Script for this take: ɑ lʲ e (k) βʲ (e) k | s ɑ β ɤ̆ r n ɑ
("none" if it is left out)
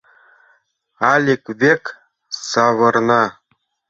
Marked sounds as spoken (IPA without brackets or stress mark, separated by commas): k, e